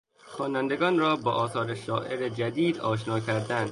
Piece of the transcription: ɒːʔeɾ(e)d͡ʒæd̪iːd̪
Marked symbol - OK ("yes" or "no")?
yes